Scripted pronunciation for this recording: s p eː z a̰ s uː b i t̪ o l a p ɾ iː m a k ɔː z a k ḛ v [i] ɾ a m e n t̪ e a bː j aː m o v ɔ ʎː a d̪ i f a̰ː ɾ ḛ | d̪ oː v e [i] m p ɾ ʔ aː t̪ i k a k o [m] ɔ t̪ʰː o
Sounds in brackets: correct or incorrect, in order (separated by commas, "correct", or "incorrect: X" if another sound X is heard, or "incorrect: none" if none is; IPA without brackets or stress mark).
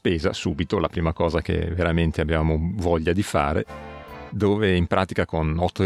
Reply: incorrect: e, correct, incorrect: n